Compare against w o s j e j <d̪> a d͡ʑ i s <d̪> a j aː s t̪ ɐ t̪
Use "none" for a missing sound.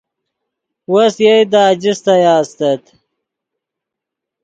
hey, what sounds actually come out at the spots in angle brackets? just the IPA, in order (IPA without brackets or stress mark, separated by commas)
d̪, t̪